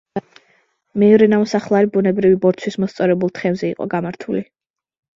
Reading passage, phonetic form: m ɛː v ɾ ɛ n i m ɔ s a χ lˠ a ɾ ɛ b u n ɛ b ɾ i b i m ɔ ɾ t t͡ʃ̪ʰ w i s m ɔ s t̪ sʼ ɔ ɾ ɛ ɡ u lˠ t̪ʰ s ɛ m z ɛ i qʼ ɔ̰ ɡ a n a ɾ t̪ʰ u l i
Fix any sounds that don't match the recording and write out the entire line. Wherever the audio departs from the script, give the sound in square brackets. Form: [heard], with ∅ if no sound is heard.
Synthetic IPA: m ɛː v ɾ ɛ n [a] m ɔ s a χ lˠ a ɾ [i] b u n ɛ b ɾ i [v] i [b] ɔ ɾ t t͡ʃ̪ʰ w i s m ɔ s t̪ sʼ ɔ ɾ ɛ [b] u lˠ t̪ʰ [χ] ɛ m z ɛ i qʼ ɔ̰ ɡ a [m] a ɾ t̪ʰ u l i

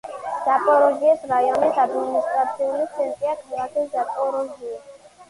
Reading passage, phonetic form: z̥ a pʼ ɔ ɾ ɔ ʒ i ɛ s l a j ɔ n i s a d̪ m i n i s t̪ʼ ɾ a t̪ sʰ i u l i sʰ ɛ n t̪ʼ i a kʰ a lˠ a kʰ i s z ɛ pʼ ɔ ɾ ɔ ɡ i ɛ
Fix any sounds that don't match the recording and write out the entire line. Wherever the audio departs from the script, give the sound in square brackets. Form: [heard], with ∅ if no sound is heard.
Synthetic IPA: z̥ a pʼ ɔ ɾ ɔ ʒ i ɛ s [ɾ] a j ɔ n i s a d̪ m i n i s t̪ʼ ɾ a t̪ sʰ i u l i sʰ ɛ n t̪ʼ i a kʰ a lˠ a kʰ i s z [a] pʼ ɔ ɾ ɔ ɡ i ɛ

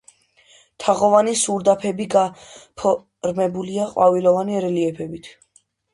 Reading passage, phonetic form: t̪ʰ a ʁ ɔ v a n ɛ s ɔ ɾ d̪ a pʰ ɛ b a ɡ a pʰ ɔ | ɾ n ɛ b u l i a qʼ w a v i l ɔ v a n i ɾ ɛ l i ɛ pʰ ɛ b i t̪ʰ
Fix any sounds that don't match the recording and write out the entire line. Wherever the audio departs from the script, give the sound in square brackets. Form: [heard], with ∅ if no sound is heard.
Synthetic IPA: t̪ʰ a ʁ ɔ v a n [i] s [u] ɾ d̪ a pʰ ɛ b [i] ɡ a pʰ ɔ | ɾ [m] ɛ b u l i a qʼ w a v i l ɔ v a n i ɾ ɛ l i ɛ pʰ ɛ b i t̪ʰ

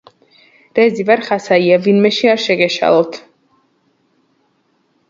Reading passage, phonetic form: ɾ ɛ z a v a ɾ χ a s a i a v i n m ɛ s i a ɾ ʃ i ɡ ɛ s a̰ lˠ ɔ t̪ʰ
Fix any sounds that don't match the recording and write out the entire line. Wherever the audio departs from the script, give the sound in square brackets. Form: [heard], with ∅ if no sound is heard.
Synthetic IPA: ɾ ɛ z [i] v a ɾ χ a s a i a v i n m ɛ [ʃ] i a ɾ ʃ [ɛ] ɡ ɛ [ʃ] a̰ lˠ ɔ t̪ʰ

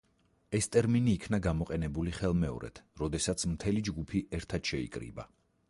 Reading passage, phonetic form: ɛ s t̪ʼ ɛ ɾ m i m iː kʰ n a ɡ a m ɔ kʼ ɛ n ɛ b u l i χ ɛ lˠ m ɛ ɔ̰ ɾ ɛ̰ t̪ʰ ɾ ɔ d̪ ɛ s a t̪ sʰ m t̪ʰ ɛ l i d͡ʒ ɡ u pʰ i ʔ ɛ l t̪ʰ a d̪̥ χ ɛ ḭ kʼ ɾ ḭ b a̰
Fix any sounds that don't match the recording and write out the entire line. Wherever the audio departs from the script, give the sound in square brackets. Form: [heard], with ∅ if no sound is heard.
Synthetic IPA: ɛ s t̪ʼ ɛ ɾ m i [n] iː kʰ n a ɡ a m ɔ [qʼ] ɛ n ɛ b u l i χ ɛ lˠ m ɛ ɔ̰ ɾ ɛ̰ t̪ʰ ɾ ɔ d̪ ɛ s a t̪ sʰ m t̪ʰ ɛ l i d͡ʒ ɡ u pʰ i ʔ ɛ [ɾ] t̪ʰ a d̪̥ [ʃ] ɛ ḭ kʼ ɾ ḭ b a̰

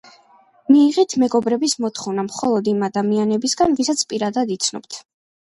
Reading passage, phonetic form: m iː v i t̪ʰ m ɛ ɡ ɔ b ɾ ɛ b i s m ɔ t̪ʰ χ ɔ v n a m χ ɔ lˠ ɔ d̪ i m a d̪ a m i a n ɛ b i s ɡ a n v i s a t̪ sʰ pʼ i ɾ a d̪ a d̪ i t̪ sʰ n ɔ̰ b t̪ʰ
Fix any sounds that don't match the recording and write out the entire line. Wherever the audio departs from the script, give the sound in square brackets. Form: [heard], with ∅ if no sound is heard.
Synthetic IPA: m iː [ʁ] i t̪ʰ m ɛ ɡ ɔ b ɾ ɛ b i s m ɔ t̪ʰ χ ɔ v n a m χ ɔ lˠ ɔ d̪ i m a d̪ a m i a n ɛ b i s ɡ a n v i s a t̪ sʰ pʼ i ɾ a d̪ a d̪ i t̪ sʰ n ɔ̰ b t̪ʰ

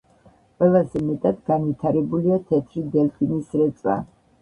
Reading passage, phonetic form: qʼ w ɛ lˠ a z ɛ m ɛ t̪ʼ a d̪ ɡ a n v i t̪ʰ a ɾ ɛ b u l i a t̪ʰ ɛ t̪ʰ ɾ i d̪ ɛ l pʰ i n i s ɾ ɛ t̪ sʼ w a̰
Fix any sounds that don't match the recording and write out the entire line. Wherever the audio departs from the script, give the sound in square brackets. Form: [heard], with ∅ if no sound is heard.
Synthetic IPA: qʼ w ɛ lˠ a z ɛ m ɛ t̪ʼ a d̪ ɡ a n v i t̪ʰ a ɾ ɛ b u l i a t̪ʰ ɛ t̪ʰ ɾ i d̪ ɛ l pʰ i n i s ɾ ɛ t̪ sʼ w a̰

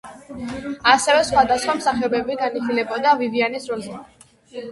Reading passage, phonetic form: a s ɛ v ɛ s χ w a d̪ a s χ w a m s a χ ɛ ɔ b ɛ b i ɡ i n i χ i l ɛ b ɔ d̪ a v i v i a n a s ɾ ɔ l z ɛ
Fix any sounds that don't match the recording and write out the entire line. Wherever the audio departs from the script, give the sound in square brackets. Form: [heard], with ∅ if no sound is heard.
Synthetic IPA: a s ɛ v ɛ s χ w a d̪ a s χ w a m s a χ ɛ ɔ b ɛ b i ɡ [a] n i χ i l ɛ b ɔ d̪ a v i v i a n [i] s ɾ ɔ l z ɛ

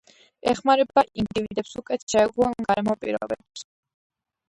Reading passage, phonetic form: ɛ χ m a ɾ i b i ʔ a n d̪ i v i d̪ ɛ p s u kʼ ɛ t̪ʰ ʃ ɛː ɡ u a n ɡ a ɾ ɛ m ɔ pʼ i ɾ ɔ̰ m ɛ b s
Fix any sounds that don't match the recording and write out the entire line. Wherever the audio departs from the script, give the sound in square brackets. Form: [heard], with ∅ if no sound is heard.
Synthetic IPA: ɛ χ m a ɾ [ɛ] b [a] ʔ [i] n d̪ i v i d̪ ɛ p s u kʼ ɛ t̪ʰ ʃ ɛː ɡ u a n ɡ a ɾ ɛ m ɔ pʼ i ɾ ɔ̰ [b] ɛ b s

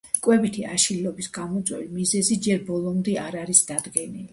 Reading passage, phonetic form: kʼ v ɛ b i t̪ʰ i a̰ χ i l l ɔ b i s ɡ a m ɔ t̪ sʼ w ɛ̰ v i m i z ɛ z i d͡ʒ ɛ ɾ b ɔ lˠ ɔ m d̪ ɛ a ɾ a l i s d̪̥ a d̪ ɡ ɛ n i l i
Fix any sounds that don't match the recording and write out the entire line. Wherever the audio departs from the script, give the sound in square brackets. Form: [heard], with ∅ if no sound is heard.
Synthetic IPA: kʼ [w] ɛ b i t̪ʰ i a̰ [ʃ] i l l ɔ b i s ɡ a m ɔ t̪ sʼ w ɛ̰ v i m i z ɛ z i d͡ʒ ɛ ɾ b ɔ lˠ ɔ m d̪ ɛ a ɾ a [ɾ] i s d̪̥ a d̪ ɡ ɛ n i l i

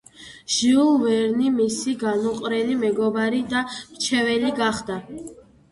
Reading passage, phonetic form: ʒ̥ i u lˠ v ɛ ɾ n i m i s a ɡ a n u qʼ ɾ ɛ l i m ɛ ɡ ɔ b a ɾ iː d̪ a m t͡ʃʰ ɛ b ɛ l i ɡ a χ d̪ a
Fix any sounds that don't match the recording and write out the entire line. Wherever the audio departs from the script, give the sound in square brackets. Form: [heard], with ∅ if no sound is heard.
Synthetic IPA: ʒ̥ i u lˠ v ɛ ɾ n i m i s [i] ɡ a n u qʼ ɾ ɛ l i m ɛ ɡ ɔ b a ɾ [i] d̪ a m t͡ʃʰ ɛ [v] ɛ l i ɡ a χ d̪ a

